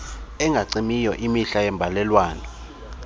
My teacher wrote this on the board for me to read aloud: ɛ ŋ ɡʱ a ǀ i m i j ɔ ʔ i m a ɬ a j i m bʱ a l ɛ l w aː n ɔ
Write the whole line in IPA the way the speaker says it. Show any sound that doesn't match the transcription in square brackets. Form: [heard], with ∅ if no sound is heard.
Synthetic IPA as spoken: ɛ ŋ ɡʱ a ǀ i m i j ɔ ʔ i m [i] ɬ a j [ɛ] m bʱ a l ɛ l w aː n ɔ